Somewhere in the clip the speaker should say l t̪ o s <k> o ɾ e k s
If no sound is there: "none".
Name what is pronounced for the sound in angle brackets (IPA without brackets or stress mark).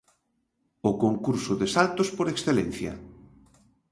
p